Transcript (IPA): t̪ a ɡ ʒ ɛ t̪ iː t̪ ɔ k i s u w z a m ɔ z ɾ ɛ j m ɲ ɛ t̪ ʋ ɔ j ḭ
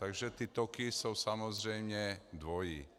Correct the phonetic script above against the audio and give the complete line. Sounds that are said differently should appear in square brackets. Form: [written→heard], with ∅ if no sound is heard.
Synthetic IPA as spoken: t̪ a ɡ ʒ ɛ t̪ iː t̪ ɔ k i s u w [z→s] a m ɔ z ɾ ɛ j m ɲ ɛ [t̪→d̪] ʋ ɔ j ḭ